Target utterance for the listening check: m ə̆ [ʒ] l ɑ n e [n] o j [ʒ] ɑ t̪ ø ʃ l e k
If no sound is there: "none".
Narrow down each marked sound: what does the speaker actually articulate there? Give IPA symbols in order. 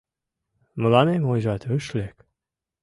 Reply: none, m, ʒ

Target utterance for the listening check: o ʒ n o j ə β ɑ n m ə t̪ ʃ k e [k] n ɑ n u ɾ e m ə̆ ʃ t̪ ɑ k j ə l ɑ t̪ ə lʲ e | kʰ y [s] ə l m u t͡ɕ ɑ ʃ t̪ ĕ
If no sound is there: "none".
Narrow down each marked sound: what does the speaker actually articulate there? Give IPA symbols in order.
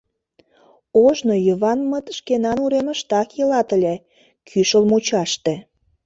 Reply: none, ʃ

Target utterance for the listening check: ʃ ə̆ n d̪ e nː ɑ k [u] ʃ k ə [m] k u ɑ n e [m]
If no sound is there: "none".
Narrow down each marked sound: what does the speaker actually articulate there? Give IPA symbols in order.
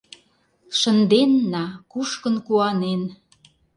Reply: u, n, n

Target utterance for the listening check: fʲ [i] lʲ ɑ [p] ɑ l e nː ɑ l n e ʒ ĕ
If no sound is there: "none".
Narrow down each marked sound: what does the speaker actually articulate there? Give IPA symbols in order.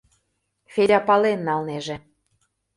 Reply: e, p

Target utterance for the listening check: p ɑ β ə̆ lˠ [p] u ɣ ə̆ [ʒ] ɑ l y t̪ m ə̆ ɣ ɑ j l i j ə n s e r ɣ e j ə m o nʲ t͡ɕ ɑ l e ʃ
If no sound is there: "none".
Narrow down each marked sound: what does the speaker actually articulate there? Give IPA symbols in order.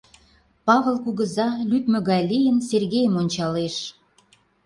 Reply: k, z

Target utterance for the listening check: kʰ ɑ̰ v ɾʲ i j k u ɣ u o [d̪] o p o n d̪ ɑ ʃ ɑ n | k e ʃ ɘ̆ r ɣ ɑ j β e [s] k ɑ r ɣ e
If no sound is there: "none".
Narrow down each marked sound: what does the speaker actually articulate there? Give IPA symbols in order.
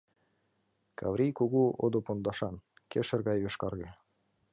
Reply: d̪, ʃ

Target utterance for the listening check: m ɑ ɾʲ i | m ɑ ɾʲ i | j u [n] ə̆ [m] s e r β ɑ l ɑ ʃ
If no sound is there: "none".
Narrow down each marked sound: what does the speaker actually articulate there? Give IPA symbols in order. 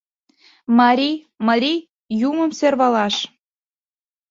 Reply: m, m

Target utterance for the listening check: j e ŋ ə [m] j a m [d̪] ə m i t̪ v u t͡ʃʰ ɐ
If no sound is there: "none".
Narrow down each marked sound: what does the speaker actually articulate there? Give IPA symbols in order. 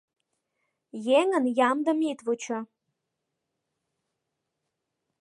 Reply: n, d̪

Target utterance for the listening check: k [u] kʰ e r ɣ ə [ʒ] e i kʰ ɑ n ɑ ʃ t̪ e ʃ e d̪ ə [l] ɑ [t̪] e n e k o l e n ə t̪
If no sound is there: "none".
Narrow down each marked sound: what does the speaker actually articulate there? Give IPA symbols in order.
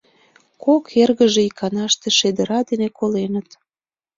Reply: o, ʒ, ɾ, d̪

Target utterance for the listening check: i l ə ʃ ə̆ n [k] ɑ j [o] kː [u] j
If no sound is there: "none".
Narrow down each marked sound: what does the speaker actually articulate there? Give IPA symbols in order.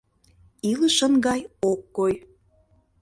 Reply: ɡ, o, o

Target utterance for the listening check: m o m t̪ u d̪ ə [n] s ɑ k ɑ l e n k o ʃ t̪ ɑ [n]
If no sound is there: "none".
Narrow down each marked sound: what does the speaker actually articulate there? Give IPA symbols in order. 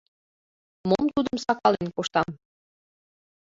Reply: m, m

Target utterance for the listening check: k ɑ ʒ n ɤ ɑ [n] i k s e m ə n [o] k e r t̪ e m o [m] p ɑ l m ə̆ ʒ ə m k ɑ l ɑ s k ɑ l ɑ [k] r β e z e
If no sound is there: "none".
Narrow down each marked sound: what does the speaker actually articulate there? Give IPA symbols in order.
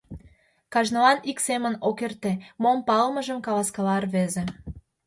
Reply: n, o, m, none

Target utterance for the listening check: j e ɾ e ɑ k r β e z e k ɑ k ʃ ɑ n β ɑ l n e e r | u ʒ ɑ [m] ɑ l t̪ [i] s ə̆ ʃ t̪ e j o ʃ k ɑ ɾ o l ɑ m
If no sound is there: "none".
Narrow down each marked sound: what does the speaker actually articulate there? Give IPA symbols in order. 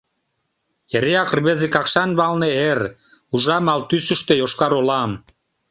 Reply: m, y

